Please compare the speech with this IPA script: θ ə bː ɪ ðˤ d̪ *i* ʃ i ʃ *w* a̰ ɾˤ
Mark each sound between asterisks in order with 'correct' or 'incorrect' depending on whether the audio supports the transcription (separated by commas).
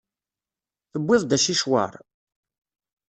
incorrect, correct